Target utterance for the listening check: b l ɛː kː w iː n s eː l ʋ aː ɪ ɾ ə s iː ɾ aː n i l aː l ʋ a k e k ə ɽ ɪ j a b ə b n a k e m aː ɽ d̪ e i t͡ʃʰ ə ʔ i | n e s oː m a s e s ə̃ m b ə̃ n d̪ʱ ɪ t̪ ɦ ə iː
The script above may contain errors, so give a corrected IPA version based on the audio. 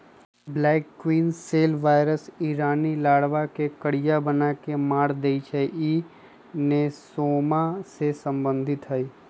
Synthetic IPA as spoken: b l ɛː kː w iː n s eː l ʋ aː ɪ ɾ ə s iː ɾ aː n i l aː ɽ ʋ a k e k ə ɽ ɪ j a b ə n a k e m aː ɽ d̪ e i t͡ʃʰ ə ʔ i | n e s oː m a s e s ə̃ m b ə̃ n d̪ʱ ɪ t̪ ɦ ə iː